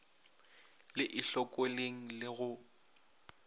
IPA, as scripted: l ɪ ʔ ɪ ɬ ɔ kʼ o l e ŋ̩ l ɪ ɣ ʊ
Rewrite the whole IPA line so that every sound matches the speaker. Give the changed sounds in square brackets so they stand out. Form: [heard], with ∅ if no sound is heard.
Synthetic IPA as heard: l ɪ ʔ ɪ ɬ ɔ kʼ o l e ŋ̩ l ɪ ɣ ʊ